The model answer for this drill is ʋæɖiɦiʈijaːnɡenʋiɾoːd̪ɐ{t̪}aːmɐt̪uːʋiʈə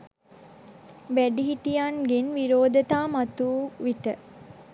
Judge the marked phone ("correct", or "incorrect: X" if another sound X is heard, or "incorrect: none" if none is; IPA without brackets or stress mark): correct